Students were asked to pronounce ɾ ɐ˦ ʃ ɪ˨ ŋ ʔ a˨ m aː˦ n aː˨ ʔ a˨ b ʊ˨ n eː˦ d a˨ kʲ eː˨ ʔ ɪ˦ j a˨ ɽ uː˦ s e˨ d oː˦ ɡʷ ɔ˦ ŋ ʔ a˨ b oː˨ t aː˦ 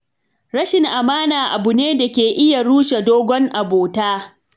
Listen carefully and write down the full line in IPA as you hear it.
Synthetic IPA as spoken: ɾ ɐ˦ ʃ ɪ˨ ŋ ʔ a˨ m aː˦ n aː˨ ʔ a˨ b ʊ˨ n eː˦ d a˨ kʲ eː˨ ʔ ɪ˦ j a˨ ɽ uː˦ ʃ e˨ d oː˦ ɡʷ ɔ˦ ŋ ʔ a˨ b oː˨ t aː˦